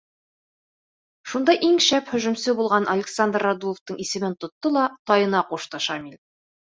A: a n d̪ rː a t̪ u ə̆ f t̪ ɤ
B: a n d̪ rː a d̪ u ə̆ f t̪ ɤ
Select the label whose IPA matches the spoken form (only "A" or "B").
B